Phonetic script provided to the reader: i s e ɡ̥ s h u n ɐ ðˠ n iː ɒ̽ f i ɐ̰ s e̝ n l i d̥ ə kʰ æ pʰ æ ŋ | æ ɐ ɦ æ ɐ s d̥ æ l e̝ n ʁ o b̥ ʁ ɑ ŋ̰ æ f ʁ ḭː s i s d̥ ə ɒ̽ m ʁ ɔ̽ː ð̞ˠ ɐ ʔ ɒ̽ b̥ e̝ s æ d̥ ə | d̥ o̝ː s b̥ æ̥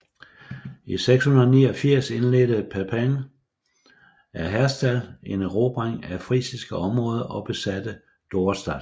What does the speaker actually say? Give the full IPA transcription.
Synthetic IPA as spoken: i s e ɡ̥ s h u n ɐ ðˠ n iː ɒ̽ f i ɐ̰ s e̝ n l e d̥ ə pʰ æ pʰ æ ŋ | æ ɐ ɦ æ ɐ s d̥ æ l e̝ n ʁ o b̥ ʁ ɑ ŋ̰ æ f ʁ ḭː s i s ɡ̥ ə ɒ̽ m ʁ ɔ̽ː ð̞ˠ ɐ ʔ ɒ̽ b̥ e̝ s æ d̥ ə | d̥ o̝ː s d̥ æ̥